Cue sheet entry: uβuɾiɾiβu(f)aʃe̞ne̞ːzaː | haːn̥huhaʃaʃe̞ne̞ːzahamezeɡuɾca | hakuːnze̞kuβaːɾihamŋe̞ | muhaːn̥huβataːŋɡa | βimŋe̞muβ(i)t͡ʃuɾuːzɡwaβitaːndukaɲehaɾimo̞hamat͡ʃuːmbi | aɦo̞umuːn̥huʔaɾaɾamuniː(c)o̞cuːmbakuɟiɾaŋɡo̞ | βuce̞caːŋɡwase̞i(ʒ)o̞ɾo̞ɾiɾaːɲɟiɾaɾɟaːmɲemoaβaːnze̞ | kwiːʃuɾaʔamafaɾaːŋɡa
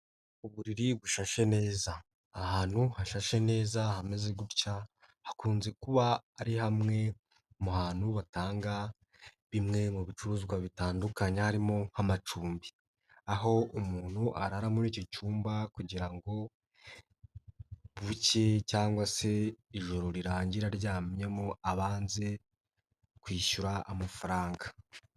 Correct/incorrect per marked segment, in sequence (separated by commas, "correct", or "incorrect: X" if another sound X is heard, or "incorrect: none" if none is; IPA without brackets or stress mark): incorrect: ʃ, correct, correct, correct